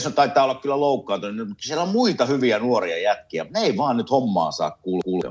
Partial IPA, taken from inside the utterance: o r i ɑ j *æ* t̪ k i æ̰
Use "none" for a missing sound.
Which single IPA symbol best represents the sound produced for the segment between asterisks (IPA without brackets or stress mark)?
æ